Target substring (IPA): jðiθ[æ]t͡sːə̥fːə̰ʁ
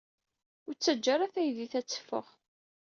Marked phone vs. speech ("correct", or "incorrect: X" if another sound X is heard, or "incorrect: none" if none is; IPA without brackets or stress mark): correct